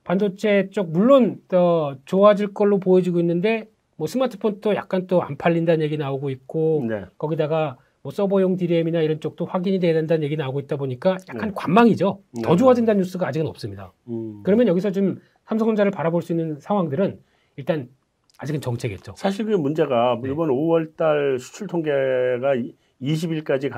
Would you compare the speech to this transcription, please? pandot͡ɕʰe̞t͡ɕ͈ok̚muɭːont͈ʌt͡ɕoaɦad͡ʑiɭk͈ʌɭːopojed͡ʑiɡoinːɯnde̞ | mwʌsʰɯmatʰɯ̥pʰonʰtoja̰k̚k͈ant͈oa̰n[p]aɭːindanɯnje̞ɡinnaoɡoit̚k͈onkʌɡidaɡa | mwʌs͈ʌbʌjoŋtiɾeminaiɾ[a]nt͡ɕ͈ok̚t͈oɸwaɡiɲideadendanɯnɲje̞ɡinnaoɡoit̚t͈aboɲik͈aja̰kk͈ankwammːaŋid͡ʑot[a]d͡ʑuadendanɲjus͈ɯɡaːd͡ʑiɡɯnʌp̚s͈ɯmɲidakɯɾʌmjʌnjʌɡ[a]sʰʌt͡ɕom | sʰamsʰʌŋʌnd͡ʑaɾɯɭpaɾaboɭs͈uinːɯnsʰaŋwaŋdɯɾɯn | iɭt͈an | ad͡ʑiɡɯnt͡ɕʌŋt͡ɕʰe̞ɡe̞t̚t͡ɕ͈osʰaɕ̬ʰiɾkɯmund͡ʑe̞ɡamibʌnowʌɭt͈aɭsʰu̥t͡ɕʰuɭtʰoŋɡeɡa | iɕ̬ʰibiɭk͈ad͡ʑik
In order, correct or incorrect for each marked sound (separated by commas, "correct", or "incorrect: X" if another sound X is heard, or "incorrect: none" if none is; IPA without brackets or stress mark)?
incorrect: pʰ, incorrect: ʌ, incorrect: ʌ, incorrect: i